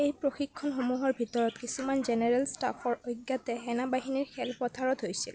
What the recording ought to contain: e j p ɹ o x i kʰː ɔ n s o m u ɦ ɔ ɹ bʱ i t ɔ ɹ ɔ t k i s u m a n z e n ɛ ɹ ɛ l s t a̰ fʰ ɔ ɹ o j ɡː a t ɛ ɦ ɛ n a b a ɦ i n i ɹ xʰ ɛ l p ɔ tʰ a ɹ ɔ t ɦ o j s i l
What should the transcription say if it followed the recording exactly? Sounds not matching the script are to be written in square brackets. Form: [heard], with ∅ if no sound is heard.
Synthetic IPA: e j p ɹ o x i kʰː ɔ n [x] o m u ɦ ɔ ɹ bʱ i t ɔ ɹ ɔ t k i s u m a n z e n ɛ ɹ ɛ l s t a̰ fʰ ɔ ɹ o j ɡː a t ɛ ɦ ɛ n a b a ɦ i n i ɹ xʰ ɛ l p ɔ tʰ a ɹ ɔ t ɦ o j s i l